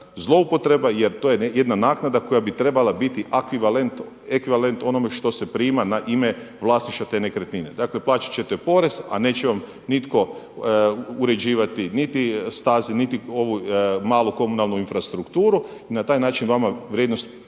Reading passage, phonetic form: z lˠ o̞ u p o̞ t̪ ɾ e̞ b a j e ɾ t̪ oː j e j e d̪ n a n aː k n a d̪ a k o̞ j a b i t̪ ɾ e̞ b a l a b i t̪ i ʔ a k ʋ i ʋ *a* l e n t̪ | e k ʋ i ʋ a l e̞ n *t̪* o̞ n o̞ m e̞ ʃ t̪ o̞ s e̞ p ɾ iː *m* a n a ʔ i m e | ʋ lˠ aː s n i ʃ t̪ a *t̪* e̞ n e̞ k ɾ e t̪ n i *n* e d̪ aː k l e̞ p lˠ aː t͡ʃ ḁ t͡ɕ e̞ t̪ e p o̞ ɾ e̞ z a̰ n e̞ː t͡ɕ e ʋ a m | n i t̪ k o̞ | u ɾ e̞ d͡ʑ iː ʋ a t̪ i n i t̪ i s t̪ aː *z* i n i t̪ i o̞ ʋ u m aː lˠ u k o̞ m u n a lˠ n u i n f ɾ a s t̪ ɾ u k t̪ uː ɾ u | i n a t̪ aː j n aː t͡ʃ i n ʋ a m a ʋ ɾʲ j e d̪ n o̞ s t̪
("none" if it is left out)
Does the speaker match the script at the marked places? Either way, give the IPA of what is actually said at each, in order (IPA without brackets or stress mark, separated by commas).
a, t̪, m, t̪, n, z